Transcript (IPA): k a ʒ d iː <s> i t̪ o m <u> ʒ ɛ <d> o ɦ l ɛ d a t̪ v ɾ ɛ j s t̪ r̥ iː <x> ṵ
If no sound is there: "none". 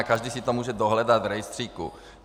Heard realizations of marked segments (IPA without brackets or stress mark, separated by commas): s, uː, d, k